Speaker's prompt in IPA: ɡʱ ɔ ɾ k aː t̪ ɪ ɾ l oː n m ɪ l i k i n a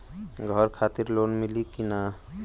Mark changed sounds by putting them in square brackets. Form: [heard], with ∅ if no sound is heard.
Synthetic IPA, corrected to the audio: ɡʱ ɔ ɾ [kʰ] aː t̪ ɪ ɾ l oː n m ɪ l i k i n a